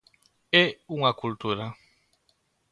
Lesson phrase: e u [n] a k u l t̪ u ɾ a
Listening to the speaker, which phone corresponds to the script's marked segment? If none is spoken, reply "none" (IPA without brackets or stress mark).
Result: ŋ